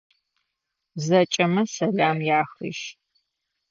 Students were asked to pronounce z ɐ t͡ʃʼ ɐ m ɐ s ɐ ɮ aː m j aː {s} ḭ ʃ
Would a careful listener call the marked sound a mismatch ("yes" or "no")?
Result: yes